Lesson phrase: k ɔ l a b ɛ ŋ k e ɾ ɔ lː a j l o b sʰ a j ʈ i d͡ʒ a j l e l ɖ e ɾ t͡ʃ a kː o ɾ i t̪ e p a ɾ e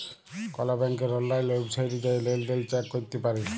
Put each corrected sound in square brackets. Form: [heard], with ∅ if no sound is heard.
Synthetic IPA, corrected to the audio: k ɔ l a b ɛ ŋ k e ɾ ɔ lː a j l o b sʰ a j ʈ i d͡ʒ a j l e l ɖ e [l] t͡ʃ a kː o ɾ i t̪ e p a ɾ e